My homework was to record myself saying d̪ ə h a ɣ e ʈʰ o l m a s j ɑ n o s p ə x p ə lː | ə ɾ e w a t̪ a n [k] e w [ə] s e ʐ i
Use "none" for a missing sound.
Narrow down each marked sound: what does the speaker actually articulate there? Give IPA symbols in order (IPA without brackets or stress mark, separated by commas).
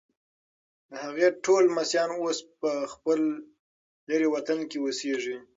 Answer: k, ə